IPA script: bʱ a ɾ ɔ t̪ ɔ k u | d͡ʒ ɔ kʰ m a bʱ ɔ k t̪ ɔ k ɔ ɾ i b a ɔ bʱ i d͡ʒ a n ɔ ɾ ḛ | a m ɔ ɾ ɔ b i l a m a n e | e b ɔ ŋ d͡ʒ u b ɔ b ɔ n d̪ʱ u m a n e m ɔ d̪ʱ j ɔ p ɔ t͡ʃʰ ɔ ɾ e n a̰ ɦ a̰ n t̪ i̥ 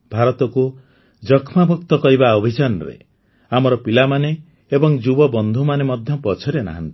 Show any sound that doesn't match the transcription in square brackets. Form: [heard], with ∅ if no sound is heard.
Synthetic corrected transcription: bʱ a ɾ ɔ t̪ ɔ k u | d͡ʒ ɔ kʰ m a bʱ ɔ k t̪ ɔ k ɔ ɾ i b a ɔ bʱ i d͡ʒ a n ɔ ɾ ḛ | a m ɔ ɾ ɔ [p] i l a m a n e | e b ɔ ŋ d͡ʒ u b ɔ b ɔ n d̪ʱ u m a n e m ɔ d̪ʱ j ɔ p ɔ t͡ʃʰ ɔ ɾ e n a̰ ɦ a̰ n t̪ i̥